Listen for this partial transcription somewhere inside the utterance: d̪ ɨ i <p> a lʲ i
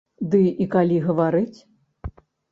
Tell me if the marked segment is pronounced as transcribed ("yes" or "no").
no